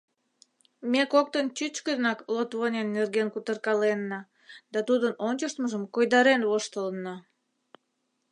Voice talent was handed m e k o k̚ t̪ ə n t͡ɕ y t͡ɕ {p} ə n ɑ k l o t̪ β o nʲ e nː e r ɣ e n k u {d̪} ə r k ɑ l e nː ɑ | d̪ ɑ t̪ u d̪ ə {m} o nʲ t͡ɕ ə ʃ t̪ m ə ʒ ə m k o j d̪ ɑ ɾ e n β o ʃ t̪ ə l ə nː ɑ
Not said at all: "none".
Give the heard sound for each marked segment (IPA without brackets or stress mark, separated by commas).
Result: k, t̪, n